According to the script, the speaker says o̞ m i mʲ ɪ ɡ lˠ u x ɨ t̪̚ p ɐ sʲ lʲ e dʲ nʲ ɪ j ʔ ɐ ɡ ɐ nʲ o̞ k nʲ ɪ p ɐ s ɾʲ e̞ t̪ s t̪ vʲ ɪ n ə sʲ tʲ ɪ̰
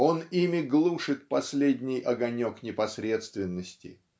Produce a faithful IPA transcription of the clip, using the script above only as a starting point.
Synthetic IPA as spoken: o̞ n i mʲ ɪ ɡ lˠ u ʂ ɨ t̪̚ p ɐ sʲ lʲ e dʲ nʲ ɪ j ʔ ɐ ɡ ɐ nʲ o̞ k nʲ ɪ p ɐ s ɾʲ e̞ t̪ s t̪ vʲ ɪ nː ə sʲ tʲ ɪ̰